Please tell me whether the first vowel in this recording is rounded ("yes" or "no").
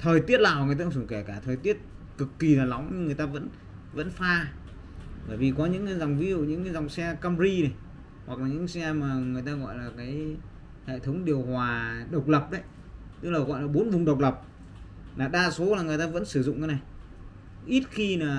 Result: no